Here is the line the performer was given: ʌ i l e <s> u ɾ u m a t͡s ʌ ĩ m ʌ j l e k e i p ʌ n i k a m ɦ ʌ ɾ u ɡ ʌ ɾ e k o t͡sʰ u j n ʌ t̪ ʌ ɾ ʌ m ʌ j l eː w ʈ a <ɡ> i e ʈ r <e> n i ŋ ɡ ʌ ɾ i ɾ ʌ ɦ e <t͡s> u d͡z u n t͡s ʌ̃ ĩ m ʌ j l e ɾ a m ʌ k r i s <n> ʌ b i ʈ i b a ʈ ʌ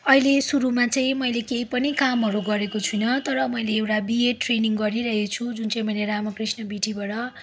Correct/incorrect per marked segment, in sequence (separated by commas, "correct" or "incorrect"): correct, incorrect, correct, incorrect, correct